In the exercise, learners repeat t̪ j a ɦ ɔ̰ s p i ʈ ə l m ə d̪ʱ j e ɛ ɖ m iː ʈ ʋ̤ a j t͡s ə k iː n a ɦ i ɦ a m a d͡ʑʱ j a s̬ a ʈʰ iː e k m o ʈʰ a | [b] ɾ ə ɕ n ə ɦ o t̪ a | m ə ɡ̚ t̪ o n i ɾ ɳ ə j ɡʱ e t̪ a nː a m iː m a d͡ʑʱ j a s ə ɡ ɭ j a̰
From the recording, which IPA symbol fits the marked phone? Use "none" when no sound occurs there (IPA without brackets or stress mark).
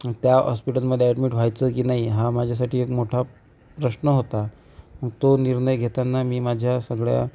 p